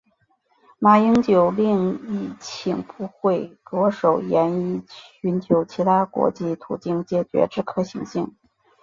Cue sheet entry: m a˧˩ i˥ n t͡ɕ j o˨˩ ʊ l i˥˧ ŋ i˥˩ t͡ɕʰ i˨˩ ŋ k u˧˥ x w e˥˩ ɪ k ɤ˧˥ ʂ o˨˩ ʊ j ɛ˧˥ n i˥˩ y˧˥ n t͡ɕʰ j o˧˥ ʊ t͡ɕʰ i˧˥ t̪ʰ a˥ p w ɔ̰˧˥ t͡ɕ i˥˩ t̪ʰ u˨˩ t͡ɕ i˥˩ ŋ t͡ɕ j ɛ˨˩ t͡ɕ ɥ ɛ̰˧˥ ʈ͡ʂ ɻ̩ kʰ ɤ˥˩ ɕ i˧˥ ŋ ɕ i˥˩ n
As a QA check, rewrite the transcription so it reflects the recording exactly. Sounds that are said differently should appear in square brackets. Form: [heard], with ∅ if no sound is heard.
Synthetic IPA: m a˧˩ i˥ [ŋ] t͡ɕ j o˨˩ ʊ l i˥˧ ŋ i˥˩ t͡ɕʰ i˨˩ ŋ [p] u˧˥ x w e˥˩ ɪ k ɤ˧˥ ʂ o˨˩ ʊ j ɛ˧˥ n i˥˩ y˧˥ n t͡ɕʰ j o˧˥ ʊ t͡ɕʰ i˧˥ t̪ʰ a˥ [k] w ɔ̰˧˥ t͡ɕ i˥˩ t̪ʰ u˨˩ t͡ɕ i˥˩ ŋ t͡ɕ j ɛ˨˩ t͡ɕ ɥ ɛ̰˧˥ ʈ͡ʂ ɻ̩ kʰ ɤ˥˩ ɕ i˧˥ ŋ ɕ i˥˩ [ŋ]